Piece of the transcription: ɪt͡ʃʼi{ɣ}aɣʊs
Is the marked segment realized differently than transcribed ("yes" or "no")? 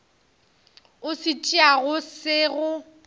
yes